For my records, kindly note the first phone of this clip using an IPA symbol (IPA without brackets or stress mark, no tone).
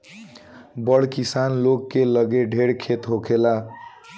b